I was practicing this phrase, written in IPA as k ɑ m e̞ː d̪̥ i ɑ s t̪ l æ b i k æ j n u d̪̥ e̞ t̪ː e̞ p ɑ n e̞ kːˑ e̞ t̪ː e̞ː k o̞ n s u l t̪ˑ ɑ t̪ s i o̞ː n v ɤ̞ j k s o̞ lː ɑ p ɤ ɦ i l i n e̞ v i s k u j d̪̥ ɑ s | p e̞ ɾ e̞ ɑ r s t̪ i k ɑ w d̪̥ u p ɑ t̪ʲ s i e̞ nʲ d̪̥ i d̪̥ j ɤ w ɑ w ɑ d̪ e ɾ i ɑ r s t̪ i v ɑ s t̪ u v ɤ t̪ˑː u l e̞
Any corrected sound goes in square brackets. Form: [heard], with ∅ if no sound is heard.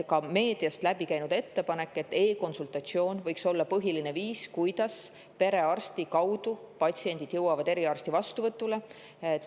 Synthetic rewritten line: k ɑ m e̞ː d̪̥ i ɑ s t̪ l æ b i k æ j n u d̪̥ e̞ t̪ː e̞ p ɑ n e̞ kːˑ e̞ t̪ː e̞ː k o̞ n s u l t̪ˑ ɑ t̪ s i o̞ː n v ɤ̞ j k s o̞ lː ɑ p ɤ ɦ i l i n e̞ v [iː] s k u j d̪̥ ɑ s | p e̞ ɾ e̞ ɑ r s t̪ i k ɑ w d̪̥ u p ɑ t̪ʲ s i e̞ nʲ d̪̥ i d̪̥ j ɤ w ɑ [v] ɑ d̪ e ɾ i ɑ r s t̪ i v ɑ s t̪ u v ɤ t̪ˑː u l e̞